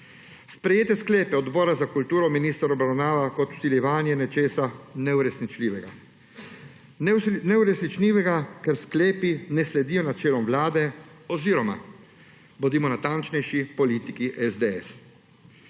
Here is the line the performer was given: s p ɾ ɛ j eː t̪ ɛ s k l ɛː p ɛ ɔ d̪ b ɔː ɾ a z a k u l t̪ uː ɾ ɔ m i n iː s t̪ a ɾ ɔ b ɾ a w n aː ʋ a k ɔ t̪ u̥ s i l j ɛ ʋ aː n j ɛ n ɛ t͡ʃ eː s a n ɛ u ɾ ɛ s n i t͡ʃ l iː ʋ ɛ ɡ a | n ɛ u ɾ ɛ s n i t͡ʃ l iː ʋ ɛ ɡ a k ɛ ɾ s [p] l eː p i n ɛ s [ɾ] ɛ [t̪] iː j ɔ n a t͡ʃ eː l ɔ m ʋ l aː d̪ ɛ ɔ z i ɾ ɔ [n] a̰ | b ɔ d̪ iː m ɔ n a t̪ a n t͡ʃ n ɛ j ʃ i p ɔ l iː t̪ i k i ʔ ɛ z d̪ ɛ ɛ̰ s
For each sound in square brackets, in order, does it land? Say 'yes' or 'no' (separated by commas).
no, no, no, no